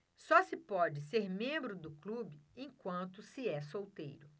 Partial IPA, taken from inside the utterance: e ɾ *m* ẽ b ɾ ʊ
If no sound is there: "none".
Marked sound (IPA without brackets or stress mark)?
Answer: m